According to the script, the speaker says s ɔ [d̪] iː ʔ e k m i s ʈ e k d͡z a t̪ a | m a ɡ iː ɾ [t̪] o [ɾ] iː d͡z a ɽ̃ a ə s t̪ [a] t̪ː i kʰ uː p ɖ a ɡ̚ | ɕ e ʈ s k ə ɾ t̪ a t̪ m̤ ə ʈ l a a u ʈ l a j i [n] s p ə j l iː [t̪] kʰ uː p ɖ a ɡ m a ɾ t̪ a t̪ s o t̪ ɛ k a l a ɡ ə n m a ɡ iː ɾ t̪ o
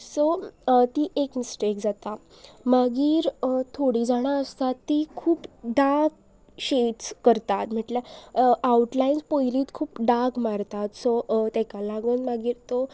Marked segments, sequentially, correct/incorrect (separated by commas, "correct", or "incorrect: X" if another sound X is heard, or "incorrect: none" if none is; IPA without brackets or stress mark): incorrect: t̪, incorrect: t̪ʰ, incorrect: ɽ, correct, correct, correct